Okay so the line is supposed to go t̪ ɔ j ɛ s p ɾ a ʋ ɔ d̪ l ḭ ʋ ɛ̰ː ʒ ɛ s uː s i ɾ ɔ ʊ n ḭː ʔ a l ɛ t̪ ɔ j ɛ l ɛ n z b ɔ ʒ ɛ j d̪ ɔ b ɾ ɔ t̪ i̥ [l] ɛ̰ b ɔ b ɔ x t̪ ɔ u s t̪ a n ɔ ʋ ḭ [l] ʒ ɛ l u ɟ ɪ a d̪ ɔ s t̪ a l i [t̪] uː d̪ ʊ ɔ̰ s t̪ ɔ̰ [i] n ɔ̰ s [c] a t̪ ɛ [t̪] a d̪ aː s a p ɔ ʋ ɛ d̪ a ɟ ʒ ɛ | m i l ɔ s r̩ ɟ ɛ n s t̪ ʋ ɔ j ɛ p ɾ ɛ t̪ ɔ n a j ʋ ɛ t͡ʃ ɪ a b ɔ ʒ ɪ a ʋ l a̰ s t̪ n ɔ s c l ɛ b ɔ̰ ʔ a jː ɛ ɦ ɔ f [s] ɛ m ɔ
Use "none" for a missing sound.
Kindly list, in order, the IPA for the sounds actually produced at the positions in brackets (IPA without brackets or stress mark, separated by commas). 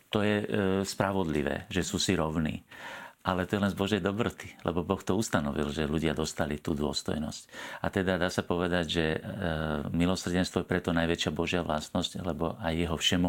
l, l, t̪, j, c, d̪, ʃ